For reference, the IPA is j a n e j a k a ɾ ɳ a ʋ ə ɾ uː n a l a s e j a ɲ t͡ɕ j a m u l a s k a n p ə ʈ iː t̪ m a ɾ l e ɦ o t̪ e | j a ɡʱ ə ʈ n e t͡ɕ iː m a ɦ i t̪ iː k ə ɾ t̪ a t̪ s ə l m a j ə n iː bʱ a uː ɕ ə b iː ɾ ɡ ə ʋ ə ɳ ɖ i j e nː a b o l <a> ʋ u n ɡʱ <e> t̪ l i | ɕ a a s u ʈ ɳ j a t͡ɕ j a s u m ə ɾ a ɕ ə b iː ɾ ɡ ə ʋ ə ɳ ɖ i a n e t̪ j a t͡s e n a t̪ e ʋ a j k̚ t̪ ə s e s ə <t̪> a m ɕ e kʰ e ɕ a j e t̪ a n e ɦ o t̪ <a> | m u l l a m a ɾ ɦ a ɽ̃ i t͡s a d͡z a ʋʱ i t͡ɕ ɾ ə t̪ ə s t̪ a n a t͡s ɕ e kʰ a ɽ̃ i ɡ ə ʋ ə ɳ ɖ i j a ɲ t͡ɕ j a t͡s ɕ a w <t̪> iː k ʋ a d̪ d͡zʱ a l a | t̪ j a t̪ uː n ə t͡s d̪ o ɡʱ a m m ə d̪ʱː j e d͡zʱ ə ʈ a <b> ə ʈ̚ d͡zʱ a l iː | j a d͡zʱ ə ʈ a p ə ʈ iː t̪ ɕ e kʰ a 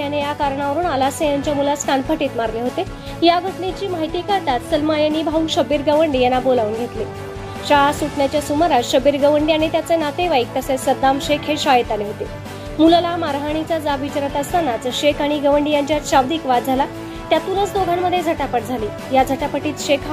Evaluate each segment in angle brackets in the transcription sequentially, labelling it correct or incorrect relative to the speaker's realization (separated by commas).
correct, correct, incorrect, incorrect, incorrect, incorrect